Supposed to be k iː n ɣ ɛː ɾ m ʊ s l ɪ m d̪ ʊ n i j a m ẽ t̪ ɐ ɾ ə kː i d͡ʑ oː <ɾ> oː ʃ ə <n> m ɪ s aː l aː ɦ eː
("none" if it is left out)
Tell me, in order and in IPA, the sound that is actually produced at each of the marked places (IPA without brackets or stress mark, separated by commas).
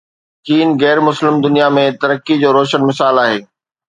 ɾ, n